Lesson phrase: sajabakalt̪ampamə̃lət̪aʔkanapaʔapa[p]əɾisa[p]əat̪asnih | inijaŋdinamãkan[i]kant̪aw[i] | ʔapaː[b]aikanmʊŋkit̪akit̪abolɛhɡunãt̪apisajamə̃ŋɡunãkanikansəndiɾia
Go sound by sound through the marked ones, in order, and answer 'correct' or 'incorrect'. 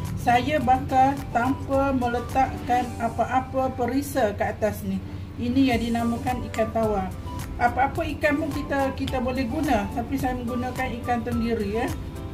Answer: correct, incorrect: k, correct, incorrect: a, incorrect: p

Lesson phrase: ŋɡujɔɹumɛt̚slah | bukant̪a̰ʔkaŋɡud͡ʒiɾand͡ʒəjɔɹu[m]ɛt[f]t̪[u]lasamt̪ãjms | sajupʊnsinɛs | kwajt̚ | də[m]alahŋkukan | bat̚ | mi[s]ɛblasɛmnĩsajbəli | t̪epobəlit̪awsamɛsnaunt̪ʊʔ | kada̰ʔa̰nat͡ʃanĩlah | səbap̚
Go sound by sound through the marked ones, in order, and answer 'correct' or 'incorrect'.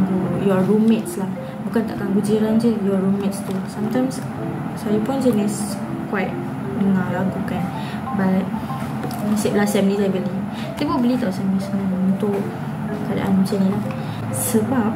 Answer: correct, incorrect: s, correct, incorrect: ŋ, correct

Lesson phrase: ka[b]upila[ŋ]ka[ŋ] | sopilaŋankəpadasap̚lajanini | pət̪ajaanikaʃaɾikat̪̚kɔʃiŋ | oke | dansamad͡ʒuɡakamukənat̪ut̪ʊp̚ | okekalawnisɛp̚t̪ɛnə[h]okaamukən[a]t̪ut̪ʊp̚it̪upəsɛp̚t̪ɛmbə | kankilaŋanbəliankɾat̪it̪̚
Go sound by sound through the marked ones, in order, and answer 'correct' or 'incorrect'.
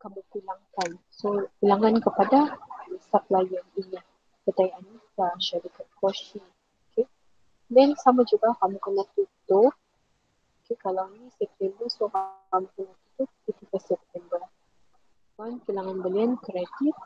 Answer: incorrect: m, correct, incorrect: n, incorrect: s, correct

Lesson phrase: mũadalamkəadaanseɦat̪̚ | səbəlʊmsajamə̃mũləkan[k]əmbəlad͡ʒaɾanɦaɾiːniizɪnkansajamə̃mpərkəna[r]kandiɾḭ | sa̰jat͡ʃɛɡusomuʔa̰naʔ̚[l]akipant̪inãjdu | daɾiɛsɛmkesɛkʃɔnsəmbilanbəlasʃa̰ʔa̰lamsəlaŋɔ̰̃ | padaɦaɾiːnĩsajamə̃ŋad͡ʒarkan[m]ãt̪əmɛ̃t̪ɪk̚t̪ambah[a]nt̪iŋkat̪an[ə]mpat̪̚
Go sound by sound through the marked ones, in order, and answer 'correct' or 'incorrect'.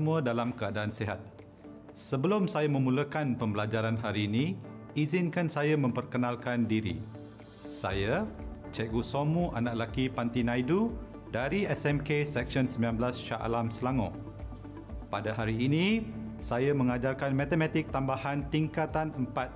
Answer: incorrect: p, incorrect: l, correct, correct, correct, correct

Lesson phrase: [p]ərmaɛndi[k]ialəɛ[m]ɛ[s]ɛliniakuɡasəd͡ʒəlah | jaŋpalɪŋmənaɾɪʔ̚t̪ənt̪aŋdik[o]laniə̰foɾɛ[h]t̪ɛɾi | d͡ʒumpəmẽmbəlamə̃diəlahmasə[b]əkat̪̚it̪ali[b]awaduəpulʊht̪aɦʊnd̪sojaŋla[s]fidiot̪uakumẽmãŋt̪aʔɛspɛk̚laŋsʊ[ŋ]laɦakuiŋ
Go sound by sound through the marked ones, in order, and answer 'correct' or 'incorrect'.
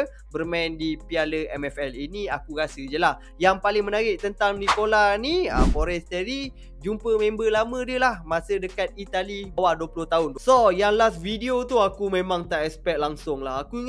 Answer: incorrect: b, incorrect: p, correct, incorrect: f, correct, incorrect: s, incorrect: d, correct, correct, correct

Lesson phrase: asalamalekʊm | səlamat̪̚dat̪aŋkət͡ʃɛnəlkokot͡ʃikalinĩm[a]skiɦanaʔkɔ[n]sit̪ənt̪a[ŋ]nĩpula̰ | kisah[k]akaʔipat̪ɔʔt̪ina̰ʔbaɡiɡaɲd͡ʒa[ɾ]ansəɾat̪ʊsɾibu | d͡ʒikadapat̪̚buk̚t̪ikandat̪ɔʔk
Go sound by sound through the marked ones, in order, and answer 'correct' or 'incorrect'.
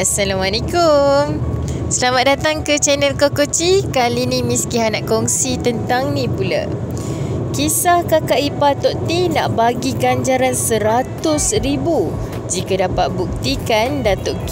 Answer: incorrect: i, incorrect: ŋ, correct, correct, correct

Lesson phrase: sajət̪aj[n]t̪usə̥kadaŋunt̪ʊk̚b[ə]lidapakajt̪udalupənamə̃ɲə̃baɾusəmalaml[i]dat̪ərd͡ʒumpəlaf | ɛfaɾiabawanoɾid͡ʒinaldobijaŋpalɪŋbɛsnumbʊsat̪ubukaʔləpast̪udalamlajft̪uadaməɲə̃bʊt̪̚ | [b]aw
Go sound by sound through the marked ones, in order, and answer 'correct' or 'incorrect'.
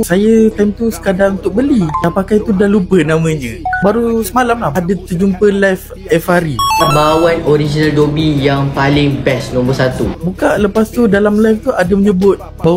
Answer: incorrect: m, correct, incorrect: a, correct

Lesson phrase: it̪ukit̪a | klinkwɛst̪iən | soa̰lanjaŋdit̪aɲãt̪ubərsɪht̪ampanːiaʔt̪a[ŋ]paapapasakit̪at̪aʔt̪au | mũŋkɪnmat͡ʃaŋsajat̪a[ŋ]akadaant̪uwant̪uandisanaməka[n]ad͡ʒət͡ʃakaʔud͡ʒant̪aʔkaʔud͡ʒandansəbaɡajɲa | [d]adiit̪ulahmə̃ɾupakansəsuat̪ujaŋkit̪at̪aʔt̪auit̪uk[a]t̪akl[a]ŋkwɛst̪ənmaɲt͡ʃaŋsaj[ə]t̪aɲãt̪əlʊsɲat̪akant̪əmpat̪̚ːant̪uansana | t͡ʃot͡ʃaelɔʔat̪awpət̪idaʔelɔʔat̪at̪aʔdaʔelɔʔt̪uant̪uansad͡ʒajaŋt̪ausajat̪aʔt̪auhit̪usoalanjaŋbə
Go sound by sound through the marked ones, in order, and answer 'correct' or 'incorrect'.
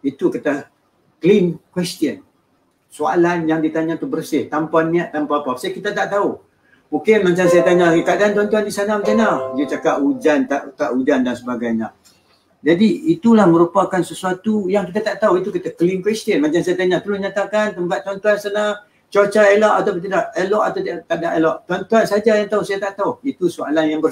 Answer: incorrect: m, incorrect: ɲ, correct, incorrect: d͡ʒ, incorrect: i, incorrect: i, incorrect: a

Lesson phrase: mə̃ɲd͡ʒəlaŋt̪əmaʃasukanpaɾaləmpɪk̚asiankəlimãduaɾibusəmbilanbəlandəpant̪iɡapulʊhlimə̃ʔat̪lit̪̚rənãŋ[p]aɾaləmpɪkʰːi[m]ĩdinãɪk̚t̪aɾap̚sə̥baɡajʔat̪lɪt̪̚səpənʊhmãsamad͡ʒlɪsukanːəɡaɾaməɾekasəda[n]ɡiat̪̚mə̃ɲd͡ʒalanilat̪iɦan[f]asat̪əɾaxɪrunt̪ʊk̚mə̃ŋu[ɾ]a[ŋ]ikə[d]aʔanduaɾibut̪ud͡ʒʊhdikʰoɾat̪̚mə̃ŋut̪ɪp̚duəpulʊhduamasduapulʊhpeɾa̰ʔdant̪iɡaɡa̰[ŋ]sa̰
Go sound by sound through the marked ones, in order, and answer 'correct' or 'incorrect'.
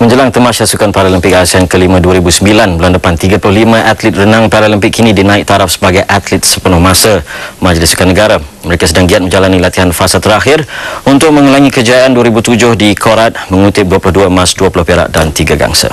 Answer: correct, incorrect: n, incorrect: ŋ, correct, incorrect: l, correct, incorrect: d͡ʒ, correct

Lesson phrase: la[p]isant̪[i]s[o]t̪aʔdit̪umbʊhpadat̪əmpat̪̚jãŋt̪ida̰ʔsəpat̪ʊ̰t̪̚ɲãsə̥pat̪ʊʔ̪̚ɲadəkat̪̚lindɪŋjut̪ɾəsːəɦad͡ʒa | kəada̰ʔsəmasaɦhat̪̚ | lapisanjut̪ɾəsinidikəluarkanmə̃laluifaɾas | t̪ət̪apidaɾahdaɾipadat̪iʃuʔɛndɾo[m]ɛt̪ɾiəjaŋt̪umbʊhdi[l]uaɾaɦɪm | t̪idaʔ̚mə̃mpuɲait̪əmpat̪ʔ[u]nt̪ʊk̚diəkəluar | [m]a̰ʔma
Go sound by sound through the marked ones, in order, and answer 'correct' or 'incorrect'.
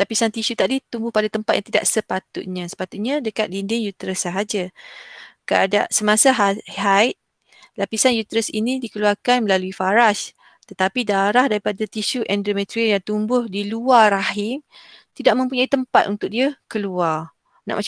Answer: correct, correct, incorrect: u, correct, correct, correct, incorrect: n

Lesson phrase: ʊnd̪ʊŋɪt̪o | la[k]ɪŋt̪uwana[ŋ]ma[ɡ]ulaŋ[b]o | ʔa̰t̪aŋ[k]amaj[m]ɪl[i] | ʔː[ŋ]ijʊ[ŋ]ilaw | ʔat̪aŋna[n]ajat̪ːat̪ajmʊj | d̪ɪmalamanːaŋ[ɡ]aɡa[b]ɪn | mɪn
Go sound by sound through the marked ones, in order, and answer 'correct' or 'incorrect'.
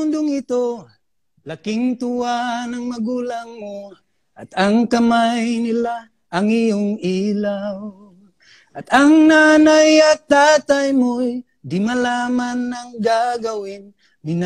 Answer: correct, correct, correct, incorrect: m, correct, incorrect: n, incorrect: a, correct, correct, correct, correct, incorrect: w

